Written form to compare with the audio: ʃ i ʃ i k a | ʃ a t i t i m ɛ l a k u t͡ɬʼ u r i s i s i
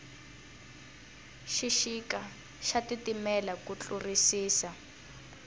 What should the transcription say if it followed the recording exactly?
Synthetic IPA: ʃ i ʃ i k a | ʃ a t i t i m ɛ l a k u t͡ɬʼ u r i s iː s a